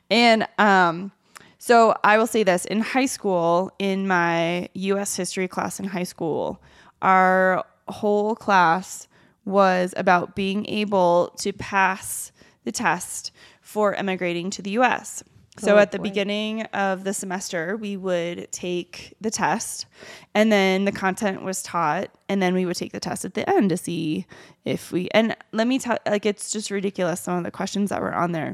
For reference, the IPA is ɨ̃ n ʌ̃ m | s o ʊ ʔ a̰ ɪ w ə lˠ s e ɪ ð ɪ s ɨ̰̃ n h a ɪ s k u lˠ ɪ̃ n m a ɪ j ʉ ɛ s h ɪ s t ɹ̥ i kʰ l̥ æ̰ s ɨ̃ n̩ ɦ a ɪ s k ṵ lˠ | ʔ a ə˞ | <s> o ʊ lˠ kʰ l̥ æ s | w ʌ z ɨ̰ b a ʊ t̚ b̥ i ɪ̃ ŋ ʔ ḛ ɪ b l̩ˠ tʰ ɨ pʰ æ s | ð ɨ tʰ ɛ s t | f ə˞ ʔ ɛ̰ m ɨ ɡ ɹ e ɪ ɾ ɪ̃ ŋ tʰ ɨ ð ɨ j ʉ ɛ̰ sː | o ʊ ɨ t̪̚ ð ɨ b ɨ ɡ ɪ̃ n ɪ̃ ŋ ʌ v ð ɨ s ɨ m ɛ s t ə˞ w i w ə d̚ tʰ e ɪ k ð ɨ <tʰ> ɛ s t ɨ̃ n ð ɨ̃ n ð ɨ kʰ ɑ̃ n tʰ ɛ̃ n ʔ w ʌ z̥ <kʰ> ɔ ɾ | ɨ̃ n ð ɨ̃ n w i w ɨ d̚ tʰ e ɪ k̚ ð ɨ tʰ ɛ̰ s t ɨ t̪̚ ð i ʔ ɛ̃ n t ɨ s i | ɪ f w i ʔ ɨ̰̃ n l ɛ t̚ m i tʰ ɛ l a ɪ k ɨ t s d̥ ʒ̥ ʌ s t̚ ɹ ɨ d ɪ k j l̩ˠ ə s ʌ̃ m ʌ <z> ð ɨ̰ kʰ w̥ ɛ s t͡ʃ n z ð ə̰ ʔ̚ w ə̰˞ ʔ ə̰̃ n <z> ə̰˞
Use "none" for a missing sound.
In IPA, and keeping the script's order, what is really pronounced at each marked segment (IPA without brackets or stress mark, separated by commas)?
h, tʰ, tʰ, v, ð